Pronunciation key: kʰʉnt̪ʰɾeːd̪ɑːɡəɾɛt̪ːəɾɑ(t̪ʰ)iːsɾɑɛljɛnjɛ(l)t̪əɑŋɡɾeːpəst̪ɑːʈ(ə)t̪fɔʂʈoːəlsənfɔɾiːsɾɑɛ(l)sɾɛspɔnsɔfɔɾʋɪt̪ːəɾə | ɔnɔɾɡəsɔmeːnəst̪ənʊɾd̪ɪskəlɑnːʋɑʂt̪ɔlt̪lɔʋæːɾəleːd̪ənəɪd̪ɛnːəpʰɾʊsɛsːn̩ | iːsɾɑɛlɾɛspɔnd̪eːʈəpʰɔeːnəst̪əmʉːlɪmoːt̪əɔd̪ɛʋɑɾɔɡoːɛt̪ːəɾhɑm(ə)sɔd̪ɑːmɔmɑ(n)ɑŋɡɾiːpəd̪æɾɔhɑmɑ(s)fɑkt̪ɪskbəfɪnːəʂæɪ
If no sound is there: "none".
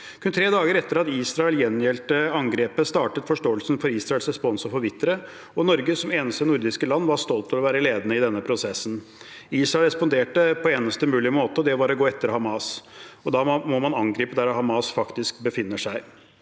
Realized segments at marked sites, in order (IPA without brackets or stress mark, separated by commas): t̪, l, ə, l, ɑ, n, s